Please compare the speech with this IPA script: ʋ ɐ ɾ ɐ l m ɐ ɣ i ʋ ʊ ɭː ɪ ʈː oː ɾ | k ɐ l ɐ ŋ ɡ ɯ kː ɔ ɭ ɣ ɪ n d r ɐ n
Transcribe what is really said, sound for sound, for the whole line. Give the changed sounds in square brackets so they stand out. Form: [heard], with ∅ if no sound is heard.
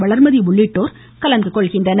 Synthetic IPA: ʋ ɐ [ɭ] ɐ [ɾ] m ɐ [ð] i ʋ ʊ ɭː ɪ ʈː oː ɾ | k ɐ l ɐ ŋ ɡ ɯ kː ɔ ɭ ɣ ɪ n d r ɐ n